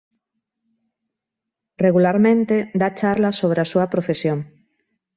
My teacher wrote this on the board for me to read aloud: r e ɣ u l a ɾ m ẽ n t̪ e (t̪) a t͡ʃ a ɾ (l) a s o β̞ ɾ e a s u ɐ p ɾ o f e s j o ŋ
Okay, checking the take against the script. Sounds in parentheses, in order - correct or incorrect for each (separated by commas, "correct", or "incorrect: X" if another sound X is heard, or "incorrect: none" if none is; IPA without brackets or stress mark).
incorrect: d̪, correct